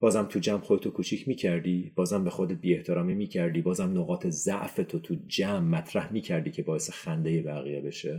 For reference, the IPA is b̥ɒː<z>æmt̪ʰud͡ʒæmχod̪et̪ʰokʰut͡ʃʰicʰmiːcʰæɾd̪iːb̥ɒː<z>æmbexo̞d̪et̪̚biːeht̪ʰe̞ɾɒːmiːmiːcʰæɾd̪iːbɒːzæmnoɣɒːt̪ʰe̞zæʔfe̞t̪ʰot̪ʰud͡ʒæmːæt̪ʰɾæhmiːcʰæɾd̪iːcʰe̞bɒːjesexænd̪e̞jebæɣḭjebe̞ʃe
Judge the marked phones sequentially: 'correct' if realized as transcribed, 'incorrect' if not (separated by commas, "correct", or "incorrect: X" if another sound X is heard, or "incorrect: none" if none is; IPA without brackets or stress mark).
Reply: correct, correct